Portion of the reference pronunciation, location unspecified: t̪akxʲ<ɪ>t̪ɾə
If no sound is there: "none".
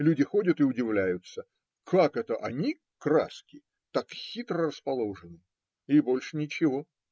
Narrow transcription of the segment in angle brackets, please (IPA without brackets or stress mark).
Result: i